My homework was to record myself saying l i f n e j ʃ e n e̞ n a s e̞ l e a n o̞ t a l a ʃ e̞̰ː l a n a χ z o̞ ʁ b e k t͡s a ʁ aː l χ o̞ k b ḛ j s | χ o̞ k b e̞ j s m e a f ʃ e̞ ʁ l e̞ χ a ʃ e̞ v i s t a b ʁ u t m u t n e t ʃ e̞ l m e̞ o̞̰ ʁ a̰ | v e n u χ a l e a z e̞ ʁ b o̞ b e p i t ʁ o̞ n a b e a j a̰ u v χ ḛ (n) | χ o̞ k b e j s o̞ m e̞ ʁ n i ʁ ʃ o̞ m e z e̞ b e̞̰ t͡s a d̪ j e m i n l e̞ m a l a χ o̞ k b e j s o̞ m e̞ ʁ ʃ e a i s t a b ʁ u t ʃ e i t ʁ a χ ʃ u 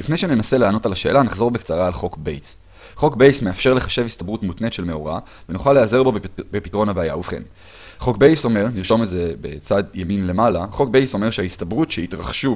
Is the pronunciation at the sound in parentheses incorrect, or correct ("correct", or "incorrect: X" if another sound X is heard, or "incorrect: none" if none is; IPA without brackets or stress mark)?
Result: correct